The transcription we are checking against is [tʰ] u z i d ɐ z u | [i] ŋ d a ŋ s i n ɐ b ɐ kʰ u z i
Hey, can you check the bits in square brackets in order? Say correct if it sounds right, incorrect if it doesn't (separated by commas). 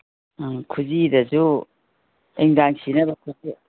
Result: incorrect, incorrect